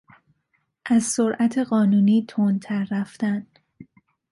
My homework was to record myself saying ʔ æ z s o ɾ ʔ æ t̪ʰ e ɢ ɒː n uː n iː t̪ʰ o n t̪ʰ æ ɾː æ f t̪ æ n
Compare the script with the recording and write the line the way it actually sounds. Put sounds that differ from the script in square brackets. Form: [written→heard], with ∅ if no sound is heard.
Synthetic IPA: ʔ æ z s o ɾ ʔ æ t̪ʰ e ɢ ɒː n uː n iː t̪ʰ o n t̪ʰ æ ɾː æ f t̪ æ n